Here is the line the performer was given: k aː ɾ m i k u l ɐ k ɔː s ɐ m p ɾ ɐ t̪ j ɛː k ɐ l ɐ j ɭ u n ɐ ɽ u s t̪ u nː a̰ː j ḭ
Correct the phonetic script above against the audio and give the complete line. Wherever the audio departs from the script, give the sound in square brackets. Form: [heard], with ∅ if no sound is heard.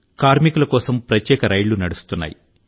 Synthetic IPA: k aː ɾ m i k u l ɐ k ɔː s ɐ m p ɾ ɐ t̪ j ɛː k ɐ [ɾ] ɐ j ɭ u n ɐ ɽ u s t̪ u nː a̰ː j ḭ